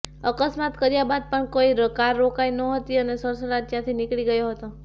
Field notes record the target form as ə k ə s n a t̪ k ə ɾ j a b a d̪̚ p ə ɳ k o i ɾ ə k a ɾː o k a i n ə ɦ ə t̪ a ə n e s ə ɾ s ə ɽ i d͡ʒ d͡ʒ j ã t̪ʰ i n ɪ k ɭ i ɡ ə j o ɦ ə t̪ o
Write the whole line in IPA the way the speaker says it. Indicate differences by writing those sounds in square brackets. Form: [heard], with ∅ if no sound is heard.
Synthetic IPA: ə k ə s [m] a t̪ k ə ɾ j a b a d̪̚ p ə ɳ k o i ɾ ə k a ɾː o k a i n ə ɦ ə t̪ [i] ə n e s ə ɾ s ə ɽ [a] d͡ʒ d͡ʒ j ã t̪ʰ i n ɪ k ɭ i ɡ ə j o ɦ ə t̪ o

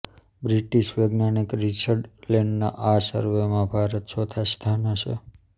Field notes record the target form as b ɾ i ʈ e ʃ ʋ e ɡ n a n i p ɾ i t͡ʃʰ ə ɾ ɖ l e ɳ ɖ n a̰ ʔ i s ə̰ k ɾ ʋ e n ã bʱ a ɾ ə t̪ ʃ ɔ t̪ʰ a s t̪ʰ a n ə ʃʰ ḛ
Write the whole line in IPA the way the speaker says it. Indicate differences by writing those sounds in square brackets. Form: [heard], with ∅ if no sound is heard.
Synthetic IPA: b ɾ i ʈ [i] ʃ ʋ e ɡ n a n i [k] ɾ i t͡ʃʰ ə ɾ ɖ l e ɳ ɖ n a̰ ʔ [a] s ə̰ [∅] ɾ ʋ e [m] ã bʱ a ɾ ə t̪ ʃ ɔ t̪ʰ a s t̪ʰ a n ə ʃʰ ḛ

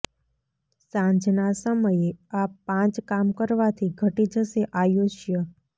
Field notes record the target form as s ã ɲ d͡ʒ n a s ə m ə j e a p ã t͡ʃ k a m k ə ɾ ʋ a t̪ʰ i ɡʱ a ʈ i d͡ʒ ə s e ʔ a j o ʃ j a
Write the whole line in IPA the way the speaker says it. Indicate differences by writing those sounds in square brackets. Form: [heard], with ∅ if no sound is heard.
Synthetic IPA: s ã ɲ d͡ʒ n a s ə m ə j e a p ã t͡ʃ k a m k ə ɾ ʋ a t̪ʰ i ɡʱ [ə] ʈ i d͡ʒ ə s e ʔ a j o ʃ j [ə]

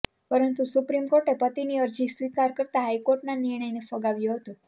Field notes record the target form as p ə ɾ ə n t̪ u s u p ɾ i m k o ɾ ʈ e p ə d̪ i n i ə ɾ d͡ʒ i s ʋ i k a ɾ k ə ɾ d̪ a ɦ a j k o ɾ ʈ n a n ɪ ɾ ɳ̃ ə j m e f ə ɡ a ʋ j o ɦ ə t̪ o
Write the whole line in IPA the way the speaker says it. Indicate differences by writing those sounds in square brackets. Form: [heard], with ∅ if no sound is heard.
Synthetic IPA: p ə ɾ ə n t̪ u s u p ɾ i m k o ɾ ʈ e p ə [t̪] i n i ə ɾ d͡ʒ i s ʋ i k a ɾ k ə ɾ [t̪] a ɦ a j k o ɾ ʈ n a n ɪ ɾ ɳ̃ ə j [n] e f ə ɡ a ʋ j o ɦ ə t̪ o

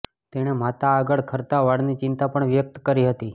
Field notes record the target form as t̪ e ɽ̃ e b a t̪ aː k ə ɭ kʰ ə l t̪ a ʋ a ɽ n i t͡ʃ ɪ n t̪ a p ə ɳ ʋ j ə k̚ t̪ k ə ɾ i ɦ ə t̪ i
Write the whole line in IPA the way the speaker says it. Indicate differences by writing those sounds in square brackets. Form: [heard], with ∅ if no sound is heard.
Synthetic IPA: t̪ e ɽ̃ e [m] a t̪ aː [ɡ] ə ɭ kʰ ə [ɾ] t̪ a ʋ a ɽ n i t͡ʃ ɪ n t̪ a p ə ɳ ʋ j ə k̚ t̪ k ə ɾ i ɦ ə t̪ i

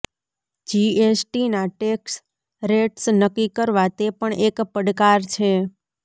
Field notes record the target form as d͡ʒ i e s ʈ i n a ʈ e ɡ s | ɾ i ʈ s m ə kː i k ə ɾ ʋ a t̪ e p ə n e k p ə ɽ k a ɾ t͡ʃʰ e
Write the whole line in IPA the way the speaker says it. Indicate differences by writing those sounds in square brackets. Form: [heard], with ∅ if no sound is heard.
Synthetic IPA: d͡ʒ i e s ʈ i n a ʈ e [k] s | ɾ [e] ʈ s [n] ə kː i k ə ɾ ʋ a t̪ e p ə [ɳ] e k p ə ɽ k a ɾ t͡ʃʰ e

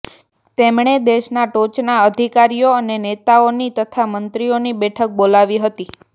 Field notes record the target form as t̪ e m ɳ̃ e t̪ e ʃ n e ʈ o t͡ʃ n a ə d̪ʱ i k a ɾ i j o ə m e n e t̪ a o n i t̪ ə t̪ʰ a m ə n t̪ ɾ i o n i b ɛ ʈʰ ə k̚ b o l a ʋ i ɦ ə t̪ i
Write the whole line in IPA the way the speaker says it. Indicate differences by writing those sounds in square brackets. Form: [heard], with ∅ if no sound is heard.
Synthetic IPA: t̪ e m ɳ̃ e [d̪] e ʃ n [a] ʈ o t͡ʃ n a ə d̪ʱ i k a ɾ i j o ə [n] e n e t̪ a o n i t̪ ə t̪ʰ a m ə n t̪ ɾ i o n i b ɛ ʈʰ ə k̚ b o l a ʋ i ɦ ə t̪ i

